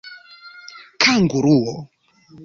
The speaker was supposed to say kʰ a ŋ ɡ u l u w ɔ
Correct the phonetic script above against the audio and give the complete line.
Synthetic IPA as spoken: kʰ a ŋ ɡ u ɾ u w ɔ